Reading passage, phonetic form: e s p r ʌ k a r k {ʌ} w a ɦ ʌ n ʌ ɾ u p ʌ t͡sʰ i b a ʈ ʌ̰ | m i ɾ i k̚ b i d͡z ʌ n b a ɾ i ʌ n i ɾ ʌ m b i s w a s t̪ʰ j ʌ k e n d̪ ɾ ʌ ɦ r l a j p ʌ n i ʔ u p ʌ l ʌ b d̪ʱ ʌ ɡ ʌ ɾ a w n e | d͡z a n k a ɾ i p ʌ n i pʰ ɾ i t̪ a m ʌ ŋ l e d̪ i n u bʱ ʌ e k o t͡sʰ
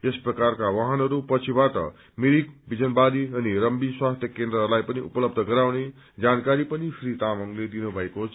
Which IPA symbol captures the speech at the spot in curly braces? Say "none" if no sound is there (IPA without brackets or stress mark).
a